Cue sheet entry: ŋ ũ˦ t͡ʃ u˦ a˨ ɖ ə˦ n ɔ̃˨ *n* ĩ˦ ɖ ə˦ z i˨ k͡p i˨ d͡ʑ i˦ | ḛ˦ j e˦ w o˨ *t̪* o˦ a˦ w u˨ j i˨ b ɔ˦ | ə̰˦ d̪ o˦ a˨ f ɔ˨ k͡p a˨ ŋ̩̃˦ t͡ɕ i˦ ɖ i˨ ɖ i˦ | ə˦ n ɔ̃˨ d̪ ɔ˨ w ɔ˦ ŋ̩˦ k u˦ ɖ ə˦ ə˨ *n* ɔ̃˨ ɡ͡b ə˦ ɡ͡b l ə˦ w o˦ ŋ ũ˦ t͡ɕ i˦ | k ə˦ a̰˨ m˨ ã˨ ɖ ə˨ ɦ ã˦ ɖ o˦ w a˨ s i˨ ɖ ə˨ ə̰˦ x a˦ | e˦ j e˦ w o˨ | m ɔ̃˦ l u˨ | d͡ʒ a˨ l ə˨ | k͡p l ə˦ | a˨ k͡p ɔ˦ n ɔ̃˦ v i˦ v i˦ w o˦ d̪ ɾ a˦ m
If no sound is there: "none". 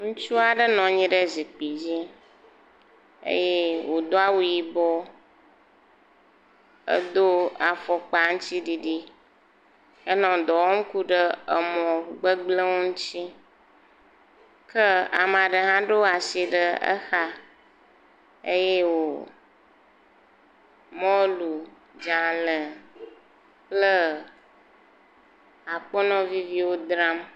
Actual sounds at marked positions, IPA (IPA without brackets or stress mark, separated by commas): ɲ, d̪, m